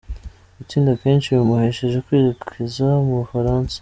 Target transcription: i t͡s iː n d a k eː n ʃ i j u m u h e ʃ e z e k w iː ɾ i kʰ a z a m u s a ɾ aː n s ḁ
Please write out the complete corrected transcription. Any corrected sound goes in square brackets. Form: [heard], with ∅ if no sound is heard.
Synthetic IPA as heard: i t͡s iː n d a k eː n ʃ i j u m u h e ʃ e [ʒ] e k w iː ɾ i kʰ [i] z a m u [f] a ɾ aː n s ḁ

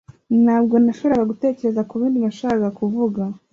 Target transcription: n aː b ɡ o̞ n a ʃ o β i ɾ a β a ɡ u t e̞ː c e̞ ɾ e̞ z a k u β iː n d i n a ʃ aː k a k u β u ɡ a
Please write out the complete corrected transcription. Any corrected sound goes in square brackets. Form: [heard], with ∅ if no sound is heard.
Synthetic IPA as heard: n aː b ɡ o̞ n a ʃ o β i ɾ a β a ɡ u t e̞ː c e̞ ɾ e̞ z a k u β iː n d i n a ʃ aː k a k u [v] u ɡ a

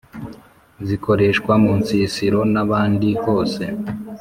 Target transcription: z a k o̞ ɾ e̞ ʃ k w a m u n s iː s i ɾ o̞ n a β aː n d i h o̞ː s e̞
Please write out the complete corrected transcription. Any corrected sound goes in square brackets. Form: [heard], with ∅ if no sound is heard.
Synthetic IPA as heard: z [i] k o̞ ɾ e̞ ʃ k w a m u n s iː s i ɾ o̞ n a β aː n d i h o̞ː s e̞

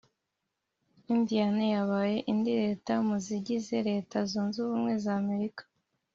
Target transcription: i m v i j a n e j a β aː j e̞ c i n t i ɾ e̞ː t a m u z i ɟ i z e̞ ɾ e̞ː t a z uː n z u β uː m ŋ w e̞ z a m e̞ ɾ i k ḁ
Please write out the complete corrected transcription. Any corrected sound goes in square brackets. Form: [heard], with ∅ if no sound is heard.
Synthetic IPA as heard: i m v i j a n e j a β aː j e̞ [ʔ] i n [d] i ɾ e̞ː t a m u z i ɟ i z e̞ ɾ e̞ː t a z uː n z u β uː m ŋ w e̞ z a m e̞ ɾ i k ḁ

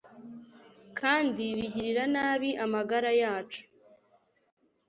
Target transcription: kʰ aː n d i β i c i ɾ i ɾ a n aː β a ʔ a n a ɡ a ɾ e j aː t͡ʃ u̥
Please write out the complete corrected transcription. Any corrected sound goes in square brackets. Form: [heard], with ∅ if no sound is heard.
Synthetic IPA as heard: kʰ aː n d i β i [ɟ] i ɾ i ɾ a n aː β [i] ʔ a [m] a ɡ a ɾ [a] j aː t͡ʃ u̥

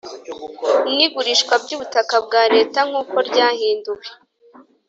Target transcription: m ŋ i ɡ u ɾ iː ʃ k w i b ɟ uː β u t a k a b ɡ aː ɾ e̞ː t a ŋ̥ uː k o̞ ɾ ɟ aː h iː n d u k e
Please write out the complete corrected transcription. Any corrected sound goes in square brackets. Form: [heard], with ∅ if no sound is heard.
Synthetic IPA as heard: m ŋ i ɡ u ɾ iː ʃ k w [a] b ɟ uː β u t a k a b ɡ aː ɾ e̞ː t a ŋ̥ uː k o̞ ɾ ɟ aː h iː n d u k e

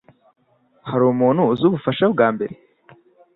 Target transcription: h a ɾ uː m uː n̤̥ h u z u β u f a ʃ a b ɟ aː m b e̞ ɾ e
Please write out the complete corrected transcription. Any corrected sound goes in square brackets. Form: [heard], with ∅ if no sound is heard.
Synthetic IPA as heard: h a ɾ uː m uː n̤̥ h u z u β u f a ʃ a b [ɡ] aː m b e̞ ɾ e

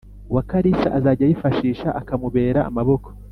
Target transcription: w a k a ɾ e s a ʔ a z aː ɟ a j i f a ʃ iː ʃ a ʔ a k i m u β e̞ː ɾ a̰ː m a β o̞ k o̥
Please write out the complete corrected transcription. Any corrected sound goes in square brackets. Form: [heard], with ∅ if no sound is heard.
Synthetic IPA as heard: w a k a ɾ [i] s a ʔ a z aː ɟ a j i f a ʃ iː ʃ a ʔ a k [a] m u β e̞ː ɾ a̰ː m a β o̞ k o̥

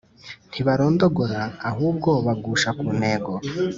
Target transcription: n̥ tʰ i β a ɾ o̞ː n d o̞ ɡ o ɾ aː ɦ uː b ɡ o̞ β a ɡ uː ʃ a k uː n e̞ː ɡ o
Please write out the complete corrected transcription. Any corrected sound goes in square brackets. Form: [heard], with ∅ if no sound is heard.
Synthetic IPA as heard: n̥ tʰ i β a ɾ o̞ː n d o̞ ɡ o ɾ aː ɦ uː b ɡ o̞ β a ɡ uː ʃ a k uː n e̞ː ɡ o

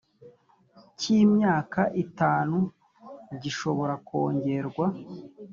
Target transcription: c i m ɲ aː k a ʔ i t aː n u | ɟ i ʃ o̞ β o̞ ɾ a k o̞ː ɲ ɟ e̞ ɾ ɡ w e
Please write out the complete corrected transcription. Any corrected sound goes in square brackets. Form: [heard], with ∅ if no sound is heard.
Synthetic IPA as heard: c i m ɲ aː k a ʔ i t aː n u | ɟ i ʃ o̞ β o̞ ɾ a k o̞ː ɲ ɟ e̞ ɾ ɡ w [a]

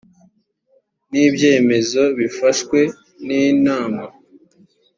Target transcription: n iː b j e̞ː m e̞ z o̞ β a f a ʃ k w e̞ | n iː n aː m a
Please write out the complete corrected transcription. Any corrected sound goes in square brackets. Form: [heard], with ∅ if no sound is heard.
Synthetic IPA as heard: n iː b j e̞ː m e̞ z o̞ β [i] f a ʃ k w e̞ | n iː n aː m a

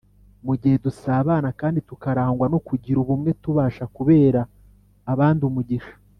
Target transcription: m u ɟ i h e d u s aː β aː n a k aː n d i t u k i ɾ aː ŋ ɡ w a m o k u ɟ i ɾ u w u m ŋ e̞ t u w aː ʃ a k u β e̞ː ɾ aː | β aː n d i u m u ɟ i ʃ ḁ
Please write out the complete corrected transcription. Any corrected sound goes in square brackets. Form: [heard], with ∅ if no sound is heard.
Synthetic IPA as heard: m u ɟ i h e d u s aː β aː n a k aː n d i t u k [a] ɾ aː ŋ ɡ w a [n] o k u ɟ i ɾ u [β] u m ŋ e̞ t u [β] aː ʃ a k u β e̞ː ɾ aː | β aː n d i u m u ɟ i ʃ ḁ

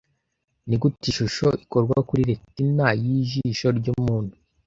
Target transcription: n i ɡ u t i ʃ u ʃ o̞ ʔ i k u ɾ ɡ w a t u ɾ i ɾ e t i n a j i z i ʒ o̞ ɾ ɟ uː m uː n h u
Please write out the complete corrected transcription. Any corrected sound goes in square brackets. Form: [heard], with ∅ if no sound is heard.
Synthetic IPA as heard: n i ɡ u t i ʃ u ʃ o̞ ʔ i k [o] ɾ ɡ w a [k] u ɾ i ɾ e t i n a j i [ʒ] i [ʃ] o̞ ɾ ɟ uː m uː n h u

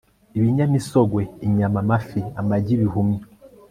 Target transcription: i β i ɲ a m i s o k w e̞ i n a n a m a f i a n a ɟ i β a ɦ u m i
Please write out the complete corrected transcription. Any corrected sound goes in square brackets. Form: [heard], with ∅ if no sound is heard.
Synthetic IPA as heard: i β i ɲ a m i s o [ɡ] w e̞ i [ɲ] a [m] a m a f i a [m] a ɟ i β [i] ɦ u m i

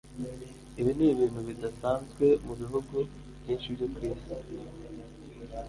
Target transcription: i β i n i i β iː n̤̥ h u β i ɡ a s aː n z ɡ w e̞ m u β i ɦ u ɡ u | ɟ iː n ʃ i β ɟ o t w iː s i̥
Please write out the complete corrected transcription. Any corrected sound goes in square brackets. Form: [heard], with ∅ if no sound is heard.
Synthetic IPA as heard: i β i n i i β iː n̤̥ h u β i [d] a s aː n z ɡ w e̞ m u β i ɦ u ɡ u | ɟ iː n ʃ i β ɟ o [k] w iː s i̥

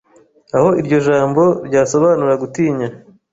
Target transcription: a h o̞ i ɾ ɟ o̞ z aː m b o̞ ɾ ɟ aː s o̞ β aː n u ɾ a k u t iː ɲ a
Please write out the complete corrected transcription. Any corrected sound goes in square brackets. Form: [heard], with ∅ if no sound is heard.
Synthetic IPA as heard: a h o̞ i ɾ ɟ o̞ [ʒ] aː m b o̞ ɾ ɟ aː s o̞ β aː n u ɾ a [ɡ] u t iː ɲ a

